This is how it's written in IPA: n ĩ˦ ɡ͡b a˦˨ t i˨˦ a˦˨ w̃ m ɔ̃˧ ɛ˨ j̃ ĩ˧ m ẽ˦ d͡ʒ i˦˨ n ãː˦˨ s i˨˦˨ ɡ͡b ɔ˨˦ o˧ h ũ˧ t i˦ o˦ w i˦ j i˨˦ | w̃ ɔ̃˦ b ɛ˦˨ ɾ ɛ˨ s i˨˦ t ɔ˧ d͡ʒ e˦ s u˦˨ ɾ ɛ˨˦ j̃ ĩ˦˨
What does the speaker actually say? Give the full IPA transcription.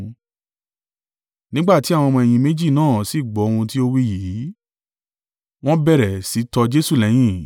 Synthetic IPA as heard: n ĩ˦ ɡ͡b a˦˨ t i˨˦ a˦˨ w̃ m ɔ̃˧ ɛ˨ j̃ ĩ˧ m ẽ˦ d͡ʒ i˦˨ n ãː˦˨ s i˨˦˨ ɡ͡b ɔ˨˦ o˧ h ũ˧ t i˦ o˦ w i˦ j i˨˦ | w̃ ɔ̃˦ b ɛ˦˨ ɾ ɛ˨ s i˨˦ t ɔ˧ d͡ʒ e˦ s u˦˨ l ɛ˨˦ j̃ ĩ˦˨